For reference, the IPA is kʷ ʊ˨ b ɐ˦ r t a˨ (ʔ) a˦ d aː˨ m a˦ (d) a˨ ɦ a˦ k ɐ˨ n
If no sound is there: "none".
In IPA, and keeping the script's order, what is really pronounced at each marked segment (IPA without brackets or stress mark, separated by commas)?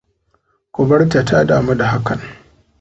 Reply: t, d